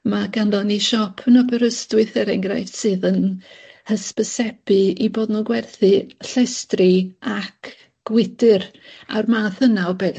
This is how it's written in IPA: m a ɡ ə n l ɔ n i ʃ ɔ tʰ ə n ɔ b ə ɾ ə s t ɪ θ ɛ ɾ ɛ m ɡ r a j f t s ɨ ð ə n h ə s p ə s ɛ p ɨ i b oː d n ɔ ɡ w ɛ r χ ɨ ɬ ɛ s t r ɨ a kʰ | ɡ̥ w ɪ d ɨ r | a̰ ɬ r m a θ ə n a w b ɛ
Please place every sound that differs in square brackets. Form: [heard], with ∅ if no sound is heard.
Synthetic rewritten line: m a ɡ [a] n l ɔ n i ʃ ɔ [pʰ] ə n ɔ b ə ɾ ə s t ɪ θ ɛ ɾ ɛ [ŋ] ɡ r a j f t s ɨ ð ə n h ə s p ə s ɛ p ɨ i b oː d n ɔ ɡ w ɛ r [θ] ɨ ɬ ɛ s t r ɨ a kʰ | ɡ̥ w ɪ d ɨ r | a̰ [∅] r m a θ ə n a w b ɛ